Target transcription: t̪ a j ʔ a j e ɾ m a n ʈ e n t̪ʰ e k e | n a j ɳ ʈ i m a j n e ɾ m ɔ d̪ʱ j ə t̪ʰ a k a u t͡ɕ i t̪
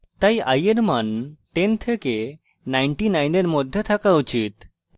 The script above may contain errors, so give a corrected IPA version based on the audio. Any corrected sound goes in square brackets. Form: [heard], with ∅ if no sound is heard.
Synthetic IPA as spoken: t̪ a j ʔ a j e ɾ m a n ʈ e n t̪ʰ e k e | n a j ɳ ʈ i [n] a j n e ɾ m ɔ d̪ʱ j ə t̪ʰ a k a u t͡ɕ i t̪